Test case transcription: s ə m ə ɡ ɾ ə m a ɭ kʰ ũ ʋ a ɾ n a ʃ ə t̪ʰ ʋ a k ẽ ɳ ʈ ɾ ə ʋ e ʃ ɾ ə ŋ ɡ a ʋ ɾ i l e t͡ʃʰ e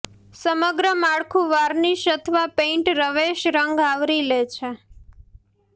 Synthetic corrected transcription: s ə m ə ɡ ɾ ə m a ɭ kʰ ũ ʋ a ɾ n i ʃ ə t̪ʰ ʋ a p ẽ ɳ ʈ ɾ ə ʋ e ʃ ɾ ə ŋ ɡ a ʋ ɾ i l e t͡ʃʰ e